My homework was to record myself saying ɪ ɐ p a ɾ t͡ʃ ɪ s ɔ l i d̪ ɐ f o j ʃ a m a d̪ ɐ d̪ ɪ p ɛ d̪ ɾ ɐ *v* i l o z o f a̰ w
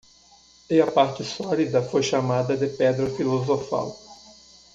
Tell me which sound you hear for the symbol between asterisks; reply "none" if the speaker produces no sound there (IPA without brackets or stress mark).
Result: f